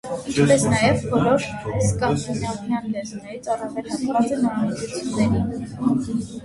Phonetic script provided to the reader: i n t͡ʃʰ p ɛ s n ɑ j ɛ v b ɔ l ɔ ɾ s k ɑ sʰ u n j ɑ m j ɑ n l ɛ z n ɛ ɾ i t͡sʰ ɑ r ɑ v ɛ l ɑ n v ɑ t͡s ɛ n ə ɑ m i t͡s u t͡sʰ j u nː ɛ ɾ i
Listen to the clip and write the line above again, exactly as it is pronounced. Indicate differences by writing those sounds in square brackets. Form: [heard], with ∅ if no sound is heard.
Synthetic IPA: i n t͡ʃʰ p ɛ s n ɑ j ɛ v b ɔ l ɔ ɾ s k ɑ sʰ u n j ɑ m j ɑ n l ɛ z n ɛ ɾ i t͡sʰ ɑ r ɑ v ɛ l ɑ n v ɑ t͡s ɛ n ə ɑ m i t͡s u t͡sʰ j u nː ɛ ɾ i